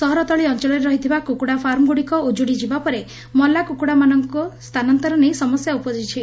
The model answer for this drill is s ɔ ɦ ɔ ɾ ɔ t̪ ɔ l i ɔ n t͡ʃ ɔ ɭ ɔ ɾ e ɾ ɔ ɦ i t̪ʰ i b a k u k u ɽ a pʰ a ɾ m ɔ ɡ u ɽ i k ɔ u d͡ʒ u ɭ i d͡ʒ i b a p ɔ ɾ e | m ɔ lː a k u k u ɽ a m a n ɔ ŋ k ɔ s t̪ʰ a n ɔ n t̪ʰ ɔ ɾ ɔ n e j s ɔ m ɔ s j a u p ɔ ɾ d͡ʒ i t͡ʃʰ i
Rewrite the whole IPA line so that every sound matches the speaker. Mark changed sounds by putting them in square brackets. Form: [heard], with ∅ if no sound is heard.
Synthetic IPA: s ɔ ɦ ɔ ɾ ɔ t̪ ɔ [ɭ] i ɔ n t͡ʃ ɔ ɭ ɔ ɾ e ɾ ɔ ɦ i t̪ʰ i b a k u k u ɽ a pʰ a ɾ m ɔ ɡ u ɽ i k ɔ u d͡ʒ u [ɽ] i d͡ʒ i b a p ɔ ɾ e | m ɔ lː a k u k u ɽ a m a n ɔ ŋ k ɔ s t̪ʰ a n ɔ n [t̪] ɔ ɾ ɔ n e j s ɔ m ɔ s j a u p ɔ [∅] d͡ʒ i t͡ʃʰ i